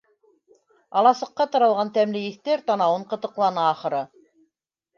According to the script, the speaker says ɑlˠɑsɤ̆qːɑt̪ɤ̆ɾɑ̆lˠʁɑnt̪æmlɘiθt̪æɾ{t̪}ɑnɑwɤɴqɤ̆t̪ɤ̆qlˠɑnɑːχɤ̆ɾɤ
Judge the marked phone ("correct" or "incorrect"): correct